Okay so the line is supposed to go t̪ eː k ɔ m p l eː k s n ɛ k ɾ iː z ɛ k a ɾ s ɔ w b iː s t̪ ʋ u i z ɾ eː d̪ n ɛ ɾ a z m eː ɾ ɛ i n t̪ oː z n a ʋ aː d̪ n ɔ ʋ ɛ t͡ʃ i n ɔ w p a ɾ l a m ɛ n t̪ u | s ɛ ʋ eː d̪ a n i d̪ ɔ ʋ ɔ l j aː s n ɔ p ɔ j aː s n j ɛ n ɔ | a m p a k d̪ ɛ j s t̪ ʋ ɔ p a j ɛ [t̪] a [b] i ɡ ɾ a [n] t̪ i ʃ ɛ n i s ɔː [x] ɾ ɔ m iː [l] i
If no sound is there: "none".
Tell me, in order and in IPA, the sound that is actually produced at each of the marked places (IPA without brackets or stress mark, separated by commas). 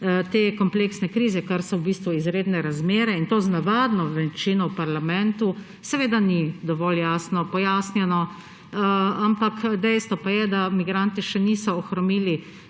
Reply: d̪, m, n, x, l